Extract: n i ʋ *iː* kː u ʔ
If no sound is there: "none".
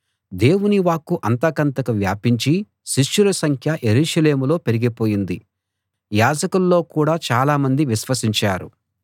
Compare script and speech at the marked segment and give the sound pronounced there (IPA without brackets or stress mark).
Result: aː